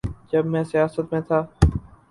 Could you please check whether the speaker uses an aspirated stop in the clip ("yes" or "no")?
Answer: yes